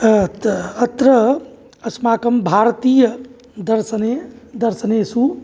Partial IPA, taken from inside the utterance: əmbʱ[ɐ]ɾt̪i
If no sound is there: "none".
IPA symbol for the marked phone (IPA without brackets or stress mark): a